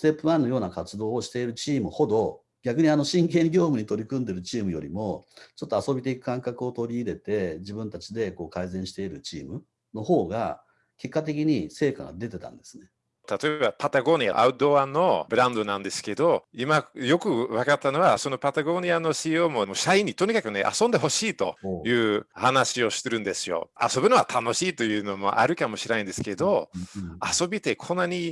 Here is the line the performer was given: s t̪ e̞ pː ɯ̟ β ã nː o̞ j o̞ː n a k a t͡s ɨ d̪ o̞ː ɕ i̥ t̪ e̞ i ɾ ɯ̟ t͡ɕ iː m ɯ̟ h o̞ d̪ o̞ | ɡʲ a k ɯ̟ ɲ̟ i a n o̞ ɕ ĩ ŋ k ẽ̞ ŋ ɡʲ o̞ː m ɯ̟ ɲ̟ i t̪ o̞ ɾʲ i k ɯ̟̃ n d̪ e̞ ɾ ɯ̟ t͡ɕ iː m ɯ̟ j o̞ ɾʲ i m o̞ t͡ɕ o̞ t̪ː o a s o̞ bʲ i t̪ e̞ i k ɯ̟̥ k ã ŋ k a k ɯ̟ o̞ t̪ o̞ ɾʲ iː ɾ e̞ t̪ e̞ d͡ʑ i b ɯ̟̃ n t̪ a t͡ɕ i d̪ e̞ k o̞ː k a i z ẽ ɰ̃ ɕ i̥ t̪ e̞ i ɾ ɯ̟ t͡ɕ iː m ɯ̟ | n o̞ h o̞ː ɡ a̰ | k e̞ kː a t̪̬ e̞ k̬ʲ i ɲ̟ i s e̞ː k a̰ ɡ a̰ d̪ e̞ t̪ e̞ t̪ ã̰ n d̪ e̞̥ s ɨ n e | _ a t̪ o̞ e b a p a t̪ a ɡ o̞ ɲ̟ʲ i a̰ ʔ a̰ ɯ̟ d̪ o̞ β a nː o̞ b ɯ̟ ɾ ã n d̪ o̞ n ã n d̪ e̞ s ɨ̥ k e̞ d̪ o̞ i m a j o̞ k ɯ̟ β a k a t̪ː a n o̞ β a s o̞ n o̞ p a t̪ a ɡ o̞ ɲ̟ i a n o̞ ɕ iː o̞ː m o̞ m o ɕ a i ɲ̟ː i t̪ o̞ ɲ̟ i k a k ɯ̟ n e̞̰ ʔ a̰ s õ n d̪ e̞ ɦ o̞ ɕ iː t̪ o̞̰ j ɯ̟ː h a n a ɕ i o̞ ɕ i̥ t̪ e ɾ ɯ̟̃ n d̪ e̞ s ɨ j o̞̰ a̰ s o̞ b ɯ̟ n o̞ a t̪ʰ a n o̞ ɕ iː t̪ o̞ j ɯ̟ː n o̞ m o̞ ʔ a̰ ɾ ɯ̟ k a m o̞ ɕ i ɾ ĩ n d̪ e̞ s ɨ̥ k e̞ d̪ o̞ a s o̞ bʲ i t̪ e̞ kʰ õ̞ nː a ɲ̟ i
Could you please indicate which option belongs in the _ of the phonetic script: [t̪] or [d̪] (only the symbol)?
t̪